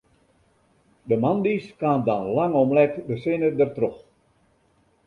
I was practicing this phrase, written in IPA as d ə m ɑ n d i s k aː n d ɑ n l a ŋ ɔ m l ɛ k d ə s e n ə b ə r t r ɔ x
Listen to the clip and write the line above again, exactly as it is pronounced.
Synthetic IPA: d ə m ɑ n d i s k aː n d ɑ n l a ŋ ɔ m l ɛ k d ə s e n ə d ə r t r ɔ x